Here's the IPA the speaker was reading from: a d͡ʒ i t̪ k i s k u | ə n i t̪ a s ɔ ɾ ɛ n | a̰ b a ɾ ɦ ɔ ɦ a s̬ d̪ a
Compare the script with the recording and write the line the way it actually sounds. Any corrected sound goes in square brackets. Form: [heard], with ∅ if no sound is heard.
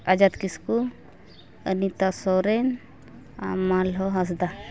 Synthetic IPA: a d͡ʒ [a] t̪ k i s k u | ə n i t̪ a s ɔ ɾ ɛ n | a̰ [m] a [l] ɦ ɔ ɦ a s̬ d̪ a